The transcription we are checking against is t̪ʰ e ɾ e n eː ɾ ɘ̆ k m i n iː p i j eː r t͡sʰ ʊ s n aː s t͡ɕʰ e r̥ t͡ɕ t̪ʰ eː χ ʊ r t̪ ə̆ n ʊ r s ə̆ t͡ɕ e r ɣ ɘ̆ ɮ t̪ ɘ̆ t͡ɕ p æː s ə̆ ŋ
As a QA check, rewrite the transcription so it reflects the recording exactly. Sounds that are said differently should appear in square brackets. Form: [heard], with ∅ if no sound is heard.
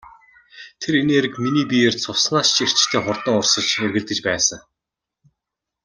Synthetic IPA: t̪ʰ e ɾ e n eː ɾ ɘ̆ k m i n iː p i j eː r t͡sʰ ʊ s n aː s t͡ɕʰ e r̥ t͡ɕ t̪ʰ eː χ ʊ r t̪ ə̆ [ŋ] ʊ r s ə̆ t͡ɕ e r ɣ ɘ̆ ɮ t̪ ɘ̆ t͡ɕ p æː s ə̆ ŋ

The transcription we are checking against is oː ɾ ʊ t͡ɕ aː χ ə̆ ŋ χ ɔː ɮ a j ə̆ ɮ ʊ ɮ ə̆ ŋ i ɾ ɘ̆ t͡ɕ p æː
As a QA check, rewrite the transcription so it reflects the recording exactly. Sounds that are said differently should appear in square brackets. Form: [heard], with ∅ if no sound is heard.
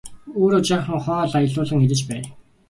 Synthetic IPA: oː ɾ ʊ t͡ɕ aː χ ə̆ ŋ χ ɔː ɮ a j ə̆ ɮ [ʊː] ɮ ə̆ ŋ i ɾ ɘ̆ t͡ɕ p æː

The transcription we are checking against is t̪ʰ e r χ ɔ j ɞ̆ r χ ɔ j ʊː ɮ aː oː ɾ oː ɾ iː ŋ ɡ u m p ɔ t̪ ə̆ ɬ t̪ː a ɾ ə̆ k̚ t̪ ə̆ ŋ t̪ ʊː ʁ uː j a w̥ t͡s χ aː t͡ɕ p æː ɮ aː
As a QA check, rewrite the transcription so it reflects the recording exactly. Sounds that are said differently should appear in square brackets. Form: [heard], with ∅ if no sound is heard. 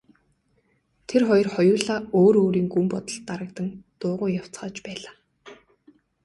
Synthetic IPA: t̪ʰ e r χ ɔ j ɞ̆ r χ ɔ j ʊː ɮ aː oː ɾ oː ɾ iː ŋ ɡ u m p ɔ t̪ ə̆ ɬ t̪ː a ɾ ə̆ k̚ t̪ ə̆ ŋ t̪ ʊː ʁ [ʊː] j a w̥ t͡s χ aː t͡ɕ p æː ɮ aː

